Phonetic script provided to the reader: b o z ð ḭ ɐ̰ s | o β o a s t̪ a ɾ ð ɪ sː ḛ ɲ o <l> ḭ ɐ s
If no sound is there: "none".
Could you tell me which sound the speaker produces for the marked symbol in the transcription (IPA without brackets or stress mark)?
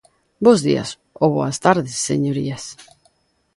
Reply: ɾ